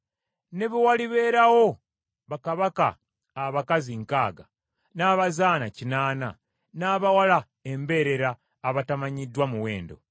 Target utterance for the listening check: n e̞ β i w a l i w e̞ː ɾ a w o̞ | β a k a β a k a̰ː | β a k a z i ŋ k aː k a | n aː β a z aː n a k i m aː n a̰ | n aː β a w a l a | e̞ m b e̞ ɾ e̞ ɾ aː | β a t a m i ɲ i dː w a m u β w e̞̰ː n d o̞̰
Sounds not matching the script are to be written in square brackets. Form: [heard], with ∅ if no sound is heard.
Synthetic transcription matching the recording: n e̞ β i w a l i [β] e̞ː ɾ a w o̞ | β a k a β a k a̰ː | β a k a z i ŋ k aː [ɡ] a | n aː β a z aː n a [c] i [n] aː n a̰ | n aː β a w a l a | e̞ m b e̞ ɾ e̞ ɾ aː | β a t a m [a] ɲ i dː w a m u [∅] w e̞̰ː n d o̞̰